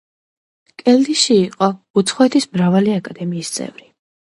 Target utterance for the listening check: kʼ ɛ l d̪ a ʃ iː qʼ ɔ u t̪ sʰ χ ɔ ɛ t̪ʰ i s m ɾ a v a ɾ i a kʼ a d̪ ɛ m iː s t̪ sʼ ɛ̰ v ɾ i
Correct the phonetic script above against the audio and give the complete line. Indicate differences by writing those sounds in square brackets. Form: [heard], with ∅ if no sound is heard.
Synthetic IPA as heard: kʼ ɛ l d̪ [i] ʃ iː qʼ ɔ u t̪ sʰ χ ɔ ɛ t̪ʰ i s m ɾ a v a [l] i a kʼ a d̪ ɛ m iː s t̪ sʼ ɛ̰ v ɾ i